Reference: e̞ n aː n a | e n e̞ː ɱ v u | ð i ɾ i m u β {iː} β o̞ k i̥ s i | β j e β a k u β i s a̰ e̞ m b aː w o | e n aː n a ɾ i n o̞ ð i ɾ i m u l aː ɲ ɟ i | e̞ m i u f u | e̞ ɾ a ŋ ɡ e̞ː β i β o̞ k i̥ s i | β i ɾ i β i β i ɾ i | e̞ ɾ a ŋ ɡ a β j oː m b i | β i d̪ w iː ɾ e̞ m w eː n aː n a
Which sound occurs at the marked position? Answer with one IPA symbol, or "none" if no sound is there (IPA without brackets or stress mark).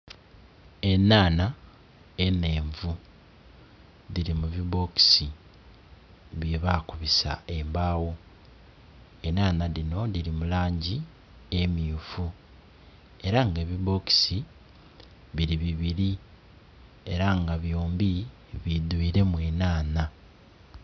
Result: i